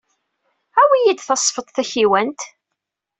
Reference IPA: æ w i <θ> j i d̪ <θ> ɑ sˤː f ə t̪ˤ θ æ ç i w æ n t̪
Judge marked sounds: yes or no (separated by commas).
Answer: no, yes